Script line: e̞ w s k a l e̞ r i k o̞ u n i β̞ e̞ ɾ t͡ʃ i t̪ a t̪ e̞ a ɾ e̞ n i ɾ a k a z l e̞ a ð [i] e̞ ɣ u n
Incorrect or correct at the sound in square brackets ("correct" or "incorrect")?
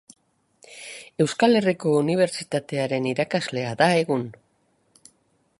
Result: incorrect